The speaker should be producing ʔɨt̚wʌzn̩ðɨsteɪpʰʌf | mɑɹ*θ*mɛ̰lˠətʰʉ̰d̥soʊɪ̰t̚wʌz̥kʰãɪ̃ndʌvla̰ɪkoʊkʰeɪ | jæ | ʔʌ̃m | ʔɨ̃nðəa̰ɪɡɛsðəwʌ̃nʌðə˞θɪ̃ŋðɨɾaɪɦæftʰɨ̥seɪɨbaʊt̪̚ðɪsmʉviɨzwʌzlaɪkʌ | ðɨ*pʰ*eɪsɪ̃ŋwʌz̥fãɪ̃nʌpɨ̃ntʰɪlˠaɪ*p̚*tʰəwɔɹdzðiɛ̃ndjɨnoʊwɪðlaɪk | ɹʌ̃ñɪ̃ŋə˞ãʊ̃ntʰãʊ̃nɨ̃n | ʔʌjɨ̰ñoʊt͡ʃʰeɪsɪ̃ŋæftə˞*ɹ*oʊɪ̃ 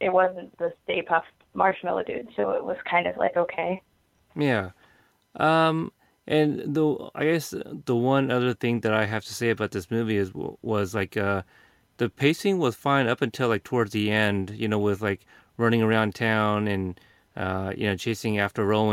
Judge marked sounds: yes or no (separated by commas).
no, yes, no, yes